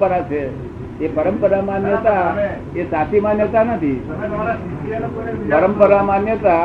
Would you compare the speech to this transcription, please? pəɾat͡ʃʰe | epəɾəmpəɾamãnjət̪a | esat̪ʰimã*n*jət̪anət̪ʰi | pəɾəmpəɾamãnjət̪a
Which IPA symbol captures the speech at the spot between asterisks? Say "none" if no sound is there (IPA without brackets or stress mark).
n